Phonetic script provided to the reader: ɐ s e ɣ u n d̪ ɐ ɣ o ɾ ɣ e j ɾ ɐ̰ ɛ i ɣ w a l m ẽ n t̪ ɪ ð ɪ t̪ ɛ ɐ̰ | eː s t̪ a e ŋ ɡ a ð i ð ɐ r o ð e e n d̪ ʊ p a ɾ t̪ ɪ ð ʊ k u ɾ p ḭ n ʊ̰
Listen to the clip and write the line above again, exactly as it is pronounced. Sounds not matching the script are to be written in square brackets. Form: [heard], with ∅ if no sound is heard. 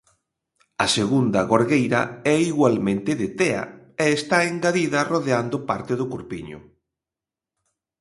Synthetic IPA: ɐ s e ɣ u n d̪ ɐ ɣ o ɾ ɣ e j ɾ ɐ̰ ɛ i ɣ w a l m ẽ n t̪ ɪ ð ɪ t̪ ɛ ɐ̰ | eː s t̪ a e ŋ ɡ a ð i ð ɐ r o ð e [a] n d̪ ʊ p a ɾ t̪ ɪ ð ʊ k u ɾ p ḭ [ɲ] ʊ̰